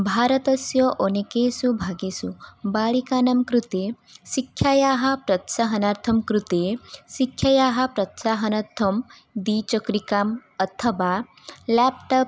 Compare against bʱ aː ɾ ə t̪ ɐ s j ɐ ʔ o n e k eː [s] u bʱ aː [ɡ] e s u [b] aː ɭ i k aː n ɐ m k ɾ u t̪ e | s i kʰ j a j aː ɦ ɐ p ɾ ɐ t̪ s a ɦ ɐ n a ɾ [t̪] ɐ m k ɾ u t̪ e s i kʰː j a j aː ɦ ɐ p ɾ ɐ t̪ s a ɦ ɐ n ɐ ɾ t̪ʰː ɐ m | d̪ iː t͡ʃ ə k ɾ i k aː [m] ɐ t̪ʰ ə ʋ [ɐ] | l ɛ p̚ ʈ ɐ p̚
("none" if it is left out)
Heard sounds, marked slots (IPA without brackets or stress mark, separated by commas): s, ɡ, b, t̪ʰ, m, a